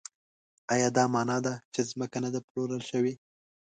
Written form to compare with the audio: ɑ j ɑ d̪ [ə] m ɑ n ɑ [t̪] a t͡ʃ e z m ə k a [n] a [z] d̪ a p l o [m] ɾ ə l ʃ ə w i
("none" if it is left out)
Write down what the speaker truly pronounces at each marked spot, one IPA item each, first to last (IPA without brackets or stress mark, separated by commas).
ɑ, d̪, n, none, none